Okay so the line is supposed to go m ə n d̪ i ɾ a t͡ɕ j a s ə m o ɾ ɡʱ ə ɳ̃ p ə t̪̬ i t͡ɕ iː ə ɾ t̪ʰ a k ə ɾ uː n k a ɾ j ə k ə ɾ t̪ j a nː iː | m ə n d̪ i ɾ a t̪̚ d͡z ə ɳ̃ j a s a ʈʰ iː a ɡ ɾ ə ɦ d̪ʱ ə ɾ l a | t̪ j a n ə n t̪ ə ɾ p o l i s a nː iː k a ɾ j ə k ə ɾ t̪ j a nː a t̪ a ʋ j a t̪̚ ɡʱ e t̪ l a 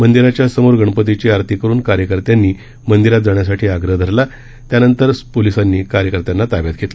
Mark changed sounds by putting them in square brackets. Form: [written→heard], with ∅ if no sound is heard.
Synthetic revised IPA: m ə n d̪ i ɾ a t͡ɕ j a s ə m o ɾ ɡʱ ə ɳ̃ p ə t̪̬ i t͡ɕ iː [ə→a] ɾ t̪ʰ [a→i] k ə ɾ uː n k a ɾ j ə k ə ɾ t̪ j a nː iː | m ə n d̪ i ɾ a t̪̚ d͡z [ə→a] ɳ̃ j a s a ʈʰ iː a ɡ ɾ ə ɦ d̪ʱ ə ɾ l a | t̪ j a n ə n t̪ ə ɾ p o l i s a nː iː k a ɾ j ə k ə ɾ t̪ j a nː a t̪ a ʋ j a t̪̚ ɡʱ e t̪ l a